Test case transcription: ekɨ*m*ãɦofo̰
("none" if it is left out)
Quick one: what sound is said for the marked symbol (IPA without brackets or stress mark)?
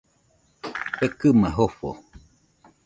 m